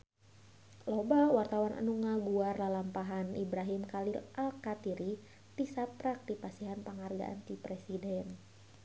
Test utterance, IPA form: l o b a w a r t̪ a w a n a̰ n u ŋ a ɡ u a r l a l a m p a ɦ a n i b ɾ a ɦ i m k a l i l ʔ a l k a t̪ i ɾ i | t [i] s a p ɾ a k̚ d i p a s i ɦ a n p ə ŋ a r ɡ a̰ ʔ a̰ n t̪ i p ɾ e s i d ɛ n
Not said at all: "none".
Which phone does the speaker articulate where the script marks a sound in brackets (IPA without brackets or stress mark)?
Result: i